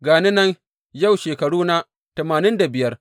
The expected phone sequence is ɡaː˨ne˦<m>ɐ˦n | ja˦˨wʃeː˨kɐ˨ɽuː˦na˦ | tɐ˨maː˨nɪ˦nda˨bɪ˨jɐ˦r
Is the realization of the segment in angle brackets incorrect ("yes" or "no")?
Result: yes